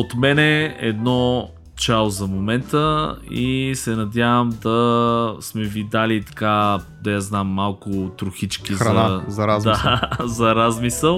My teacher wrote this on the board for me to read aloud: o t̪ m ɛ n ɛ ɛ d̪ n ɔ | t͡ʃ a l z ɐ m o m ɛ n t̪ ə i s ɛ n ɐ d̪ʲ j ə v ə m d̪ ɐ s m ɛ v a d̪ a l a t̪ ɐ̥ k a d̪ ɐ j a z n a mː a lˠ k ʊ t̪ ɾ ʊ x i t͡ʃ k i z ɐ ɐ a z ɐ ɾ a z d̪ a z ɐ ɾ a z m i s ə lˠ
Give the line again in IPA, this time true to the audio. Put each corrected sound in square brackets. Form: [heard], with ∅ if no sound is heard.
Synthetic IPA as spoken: o t̪ m ɛ n ɛ ɛ d̪ n ɔ | t͡ʃ a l z ɐ m o m ɛ n t̪ ə i s ɛ n ɐ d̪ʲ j [a] v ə m d̪ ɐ s m ɛ v [i] d̪ a l [i] t̪ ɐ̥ k a d̪ ɐ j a z n a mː a lˠ k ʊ t̪ ɾ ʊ x i t͡ʃ k i z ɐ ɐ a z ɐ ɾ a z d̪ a z ɐ ɾ a z m i s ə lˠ